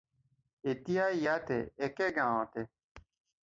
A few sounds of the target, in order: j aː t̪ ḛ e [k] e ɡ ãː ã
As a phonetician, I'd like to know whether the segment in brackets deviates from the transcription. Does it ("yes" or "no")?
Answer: no